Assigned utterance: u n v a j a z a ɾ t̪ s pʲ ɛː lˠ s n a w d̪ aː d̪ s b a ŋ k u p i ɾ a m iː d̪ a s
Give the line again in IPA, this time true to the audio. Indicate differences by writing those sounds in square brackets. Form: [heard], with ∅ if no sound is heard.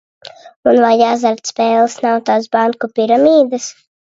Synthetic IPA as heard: u n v a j a z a ɾ t̪ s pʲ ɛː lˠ s n a w [t̪] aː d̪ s b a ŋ k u p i ɾ a m iː d̪ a s